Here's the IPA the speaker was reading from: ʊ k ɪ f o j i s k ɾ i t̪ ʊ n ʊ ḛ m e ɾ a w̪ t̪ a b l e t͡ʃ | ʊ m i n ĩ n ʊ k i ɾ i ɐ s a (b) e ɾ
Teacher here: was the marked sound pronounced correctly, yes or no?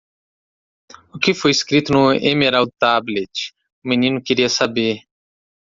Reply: yes